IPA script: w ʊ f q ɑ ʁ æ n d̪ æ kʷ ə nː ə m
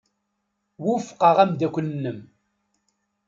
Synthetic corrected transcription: w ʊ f q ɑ ʁ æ m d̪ æ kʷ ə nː ə m